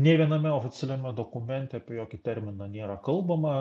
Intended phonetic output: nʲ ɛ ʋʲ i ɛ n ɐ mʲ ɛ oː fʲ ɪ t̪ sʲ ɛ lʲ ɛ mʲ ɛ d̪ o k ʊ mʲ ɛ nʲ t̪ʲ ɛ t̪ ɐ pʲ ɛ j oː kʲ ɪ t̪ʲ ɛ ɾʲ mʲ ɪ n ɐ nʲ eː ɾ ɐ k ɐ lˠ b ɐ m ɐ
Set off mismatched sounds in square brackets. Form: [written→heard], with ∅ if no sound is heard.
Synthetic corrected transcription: nʲ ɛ ʋʲ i ɛ n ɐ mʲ ɛ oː fʲ ɪ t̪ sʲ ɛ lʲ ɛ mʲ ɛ d̪ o k ʊ mʲ ɛ nʲ t̪ʲ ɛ [t̪→∅] ɐ pʲ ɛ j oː kʲ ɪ t̪ʲ ɛ ɾʲ mʲ ɪ n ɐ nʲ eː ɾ ɐ k ɐ lˠ b ɐ m ɐ